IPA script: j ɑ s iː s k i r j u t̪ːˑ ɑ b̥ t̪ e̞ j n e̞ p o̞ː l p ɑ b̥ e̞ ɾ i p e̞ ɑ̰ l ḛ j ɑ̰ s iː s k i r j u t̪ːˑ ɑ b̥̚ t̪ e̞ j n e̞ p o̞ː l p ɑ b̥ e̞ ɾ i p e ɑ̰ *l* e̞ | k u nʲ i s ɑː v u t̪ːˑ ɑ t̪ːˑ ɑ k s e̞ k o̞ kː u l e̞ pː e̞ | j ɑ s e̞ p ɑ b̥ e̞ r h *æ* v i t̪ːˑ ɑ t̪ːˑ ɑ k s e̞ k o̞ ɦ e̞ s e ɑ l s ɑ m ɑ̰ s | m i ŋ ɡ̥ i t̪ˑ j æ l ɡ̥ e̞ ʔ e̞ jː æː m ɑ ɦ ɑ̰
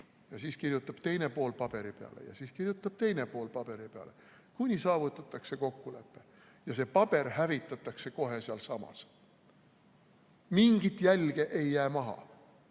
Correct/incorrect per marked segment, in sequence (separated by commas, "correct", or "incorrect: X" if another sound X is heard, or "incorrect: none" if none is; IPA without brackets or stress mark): correct, correct